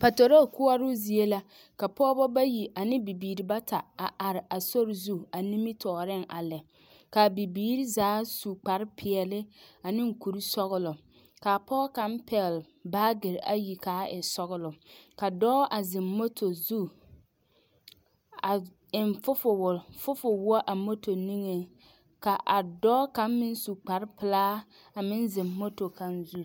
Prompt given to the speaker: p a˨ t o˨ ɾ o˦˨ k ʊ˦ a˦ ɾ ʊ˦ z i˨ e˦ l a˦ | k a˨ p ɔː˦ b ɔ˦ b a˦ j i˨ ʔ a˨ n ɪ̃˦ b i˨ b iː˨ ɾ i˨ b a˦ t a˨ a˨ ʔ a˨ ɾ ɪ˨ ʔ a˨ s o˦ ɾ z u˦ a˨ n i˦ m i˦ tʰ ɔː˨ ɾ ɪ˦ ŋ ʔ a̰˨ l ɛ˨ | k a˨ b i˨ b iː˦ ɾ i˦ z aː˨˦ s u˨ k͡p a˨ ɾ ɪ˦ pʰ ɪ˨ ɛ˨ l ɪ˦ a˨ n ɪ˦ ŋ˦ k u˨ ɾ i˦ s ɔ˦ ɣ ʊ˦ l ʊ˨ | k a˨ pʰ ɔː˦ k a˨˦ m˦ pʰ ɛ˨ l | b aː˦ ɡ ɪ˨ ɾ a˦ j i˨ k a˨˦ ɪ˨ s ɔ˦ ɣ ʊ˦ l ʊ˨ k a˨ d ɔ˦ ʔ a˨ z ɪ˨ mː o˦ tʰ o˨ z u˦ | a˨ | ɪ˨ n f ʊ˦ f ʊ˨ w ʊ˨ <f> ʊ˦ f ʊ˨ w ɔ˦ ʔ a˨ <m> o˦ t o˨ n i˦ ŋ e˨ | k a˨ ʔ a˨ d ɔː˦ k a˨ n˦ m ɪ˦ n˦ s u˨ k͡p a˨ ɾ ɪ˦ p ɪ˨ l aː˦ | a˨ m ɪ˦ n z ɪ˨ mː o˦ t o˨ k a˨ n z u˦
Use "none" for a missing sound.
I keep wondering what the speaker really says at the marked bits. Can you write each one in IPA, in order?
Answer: f, m

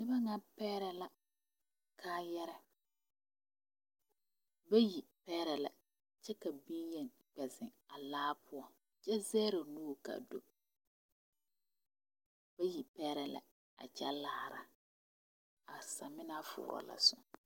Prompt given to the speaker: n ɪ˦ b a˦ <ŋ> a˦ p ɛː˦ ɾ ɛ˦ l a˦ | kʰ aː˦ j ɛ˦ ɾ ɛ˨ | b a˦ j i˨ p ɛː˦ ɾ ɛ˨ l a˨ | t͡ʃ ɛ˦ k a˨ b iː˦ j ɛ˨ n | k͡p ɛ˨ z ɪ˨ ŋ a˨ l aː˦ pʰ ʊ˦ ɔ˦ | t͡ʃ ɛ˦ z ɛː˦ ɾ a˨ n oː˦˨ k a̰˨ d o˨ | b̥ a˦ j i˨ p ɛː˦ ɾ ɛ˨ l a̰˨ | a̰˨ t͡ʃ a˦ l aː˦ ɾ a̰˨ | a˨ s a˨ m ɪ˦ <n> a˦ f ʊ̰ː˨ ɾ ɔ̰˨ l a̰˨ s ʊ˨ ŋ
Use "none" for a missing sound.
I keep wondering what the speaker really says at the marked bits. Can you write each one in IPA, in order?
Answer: ŋ, n

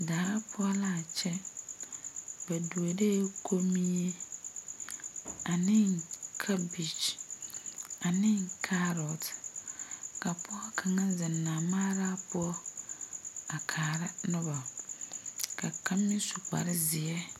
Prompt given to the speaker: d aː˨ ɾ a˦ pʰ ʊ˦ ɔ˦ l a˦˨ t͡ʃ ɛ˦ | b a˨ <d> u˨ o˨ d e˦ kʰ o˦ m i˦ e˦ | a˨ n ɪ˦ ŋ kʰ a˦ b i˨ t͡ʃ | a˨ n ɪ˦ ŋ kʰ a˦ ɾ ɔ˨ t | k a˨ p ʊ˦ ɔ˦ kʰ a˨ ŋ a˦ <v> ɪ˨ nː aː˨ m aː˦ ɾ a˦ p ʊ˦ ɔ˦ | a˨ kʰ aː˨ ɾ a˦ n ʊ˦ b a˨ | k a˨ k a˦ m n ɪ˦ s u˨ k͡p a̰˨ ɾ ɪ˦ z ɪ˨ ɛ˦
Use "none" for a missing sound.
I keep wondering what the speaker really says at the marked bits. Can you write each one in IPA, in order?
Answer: d, z

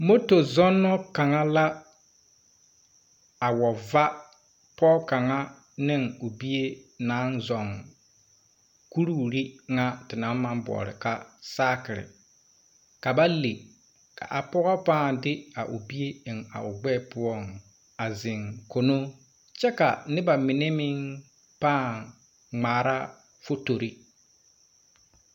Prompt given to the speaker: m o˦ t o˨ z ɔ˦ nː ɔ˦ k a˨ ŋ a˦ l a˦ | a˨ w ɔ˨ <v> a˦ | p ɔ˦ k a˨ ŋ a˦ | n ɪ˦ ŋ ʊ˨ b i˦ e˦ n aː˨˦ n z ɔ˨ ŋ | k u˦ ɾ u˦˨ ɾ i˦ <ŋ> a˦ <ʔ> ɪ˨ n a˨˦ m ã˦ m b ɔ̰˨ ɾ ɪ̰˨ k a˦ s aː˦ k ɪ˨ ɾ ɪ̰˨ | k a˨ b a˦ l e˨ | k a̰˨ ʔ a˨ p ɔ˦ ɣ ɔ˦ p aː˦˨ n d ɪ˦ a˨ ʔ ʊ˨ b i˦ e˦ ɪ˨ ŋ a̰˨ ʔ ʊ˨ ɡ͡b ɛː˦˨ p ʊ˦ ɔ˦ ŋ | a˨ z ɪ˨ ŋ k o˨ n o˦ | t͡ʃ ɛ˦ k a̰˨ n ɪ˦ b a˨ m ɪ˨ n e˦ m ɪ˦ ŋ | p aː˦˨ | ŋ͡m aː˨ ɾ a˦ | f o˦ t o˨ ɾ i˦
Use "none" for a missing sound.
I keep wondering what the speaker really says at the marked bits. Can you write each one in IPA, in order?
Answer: v, ŋ, t

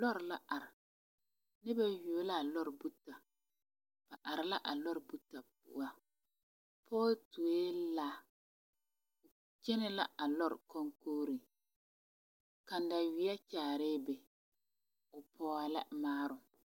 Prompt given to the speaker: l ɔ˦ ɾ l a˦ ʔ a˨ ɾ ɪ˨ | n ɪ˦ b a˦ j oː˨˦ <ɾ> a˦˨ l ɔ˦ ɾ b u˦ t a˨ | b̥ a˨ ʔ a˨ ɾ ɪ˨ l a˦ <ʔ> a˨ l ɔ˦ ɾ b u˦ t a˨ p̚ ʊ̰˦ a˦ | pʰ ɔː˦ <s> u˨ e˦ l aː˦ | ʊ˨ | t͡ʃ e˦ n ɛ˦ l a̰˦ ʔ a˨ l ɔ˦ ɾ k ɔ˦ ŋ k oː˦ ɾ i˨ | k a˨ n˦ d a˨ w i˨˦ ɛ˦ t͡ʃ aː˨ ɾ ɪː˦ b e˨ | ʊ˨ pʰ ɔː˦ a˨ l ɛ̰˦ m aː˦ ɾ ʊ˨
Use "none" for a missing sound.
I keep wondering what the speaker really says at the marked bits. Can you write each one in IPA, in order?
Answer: l, ʔ, t

